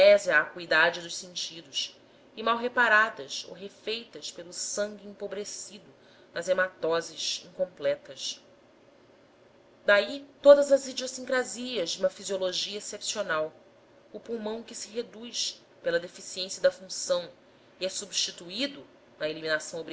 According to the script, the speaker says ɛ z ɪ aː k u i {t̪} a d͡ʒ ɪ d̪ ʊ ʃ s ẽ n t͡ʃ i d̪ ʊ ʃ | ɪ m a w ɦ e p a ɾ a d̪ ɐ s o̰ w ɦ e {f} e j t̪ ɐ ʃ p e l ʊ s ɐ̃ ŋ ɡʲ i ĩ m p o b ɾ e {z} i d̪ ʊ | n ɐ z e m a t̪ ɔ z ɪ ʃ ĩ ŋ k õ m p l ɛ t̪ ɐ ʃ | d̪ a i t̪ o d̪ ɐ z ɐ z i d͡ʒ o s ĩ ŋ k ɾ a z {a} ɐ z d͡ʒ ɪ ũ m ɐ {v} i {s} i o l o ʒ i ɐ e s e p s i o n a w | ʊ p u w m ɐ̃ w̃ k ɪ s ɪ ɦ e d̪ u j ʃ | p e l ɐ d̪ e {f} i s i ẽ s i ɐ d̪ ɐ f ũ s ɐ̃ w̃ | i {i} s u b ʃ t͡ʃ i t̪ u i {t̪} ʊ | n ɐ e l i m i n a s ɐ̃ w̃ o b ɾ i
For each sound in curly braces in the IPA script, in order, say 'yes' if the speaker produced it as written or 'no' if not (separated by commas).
no, yes, no, no, no, no, yes, no, no